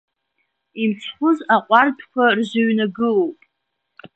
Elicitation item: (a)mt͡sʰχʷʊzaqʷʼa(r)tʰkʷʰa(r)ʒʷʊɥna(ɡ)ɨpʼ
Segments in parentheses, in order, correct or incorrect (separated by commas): incorrect, correct, correct, correct